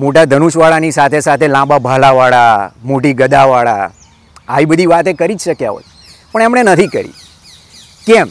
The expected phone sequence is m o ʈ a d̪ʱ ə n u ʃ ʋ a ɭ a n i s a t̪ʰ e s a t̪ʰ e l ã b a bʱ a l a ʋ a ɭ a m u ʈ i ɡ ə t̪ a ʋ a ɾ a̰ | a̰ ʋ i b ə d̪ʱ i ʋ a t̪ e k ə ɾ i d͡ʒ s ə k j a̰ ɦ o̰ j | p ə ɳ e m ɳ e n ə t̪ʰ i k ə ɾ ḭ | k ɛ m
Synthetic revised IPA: m o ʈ a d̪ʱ ə n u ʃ ʋ a ɭ a n i s a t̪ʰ e s a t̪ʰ e l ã b a bʱ a l a ʋ a ɭ a m o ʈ i ɡ ə d̪ a ʋ a ɭ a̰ | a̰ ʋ i b ə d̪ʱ i ʋ a t̪ e k ə ɾ i d͡ʒ ʃ ə k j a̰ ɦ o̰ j | p ə ɳ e m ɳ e n ə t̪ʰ i k ə ɾ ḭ | k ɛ m